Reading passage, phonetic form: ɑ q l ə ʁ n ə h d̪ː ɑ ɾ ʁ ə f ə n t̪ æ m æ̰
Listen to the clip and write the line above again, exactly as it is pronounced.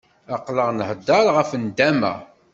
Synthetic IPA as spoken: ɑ q l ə ʁ n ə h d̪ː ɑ ɾ ʁ ə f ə n d̪ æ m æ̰